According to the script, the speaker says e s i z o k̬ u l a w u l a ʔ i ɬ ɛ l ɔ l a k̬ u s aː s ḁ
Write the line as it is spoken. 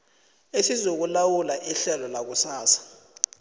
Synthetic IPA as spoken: e s i z o k̬ u l a w u l a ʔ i ɬ ɛ l ɔ l a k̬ u s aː s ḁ